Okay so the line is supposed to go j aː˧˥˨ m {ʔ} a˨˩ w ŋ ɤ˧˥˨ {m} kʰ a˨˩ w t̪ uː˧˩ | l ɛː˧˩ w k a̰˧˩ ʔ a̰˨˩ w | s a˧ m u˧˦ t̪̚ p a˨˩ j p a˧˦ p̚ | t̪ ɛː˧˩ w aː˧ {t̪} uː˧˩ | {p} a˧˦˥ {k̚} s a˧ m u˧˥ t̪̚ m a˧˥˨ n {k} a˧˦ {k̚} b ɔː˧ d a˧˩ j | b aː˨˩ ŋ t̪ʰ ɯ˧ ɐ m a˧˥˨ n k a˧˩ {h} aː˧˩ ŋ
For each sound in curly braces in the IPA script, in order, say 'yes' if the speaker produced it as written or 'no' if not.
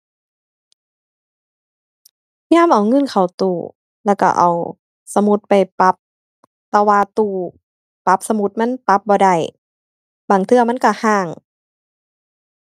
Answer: yes, no, yes, yes, no, no, no, yes

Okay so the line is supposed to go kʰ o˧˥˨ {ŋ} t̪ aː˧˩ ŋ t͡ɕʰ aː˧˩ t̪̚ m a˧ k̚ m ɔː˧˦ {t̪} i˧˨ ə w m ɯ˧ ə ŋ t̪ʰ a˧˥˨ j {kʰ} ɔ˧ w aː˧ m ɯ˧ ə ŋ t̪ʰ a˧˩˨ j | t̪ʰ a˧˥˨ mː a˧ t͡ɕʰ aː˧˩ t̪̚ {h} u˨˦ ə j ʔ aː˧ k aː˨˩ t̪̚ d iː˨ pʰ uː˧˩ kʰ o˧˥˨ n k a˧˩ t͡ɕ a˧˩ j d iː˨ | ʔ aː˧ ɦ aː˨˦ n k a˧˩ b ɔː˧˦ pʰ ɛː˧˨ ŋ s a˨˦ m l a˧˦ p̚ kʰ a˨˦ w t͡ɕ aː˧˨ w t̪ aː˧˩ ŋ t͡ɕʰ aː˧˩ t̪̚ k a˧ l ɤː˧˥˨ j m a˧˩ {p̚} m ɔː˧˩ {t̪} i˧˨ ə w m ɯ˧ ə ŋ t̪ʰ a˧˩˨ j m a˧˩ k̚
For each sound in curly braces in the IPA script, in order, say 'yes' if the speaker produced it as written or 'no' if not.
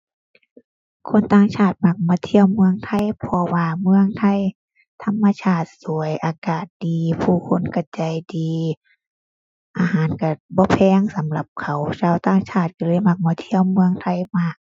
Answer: no, no, no, no, no, no

